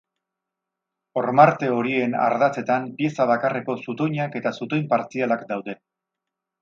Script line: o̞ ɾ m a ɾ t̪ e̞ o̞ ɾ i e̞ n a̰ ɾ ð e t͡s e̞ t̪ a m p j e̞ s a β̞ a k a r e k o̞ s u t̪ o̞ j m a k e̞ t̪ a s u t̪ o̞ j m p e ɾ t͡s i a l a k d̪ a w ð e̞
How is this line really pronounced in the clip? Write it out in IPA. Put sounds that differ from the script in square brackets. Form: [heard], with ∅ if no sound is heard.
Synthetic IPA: o̞ ɾ m a ɾ t̪ e̞ o̞ ɾ i e̞ n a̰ ɾ ð [a] t͡s e̞ t̪ a m p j e̞ s a β̞ a k a r e k o̞ s u t̪ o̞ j [ɲ] a k e̞ t̪ a s u t̪ o̞ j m p [a] ɾ t͡s i a l a k d̪ a w ð e̞